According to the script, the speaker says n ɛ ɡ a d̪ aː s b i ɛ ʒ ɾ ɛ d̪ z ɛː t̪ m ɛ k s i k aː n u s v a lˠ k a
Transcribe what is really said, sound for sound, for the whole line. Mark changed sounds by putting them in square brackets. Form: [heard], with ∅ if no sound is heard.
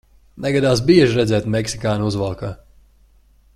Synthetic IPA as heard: n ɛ ɡ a d̪ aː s b i ɛ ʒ ɾ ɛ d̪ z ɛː t̪ m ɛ k s i k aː n u [z] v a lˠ k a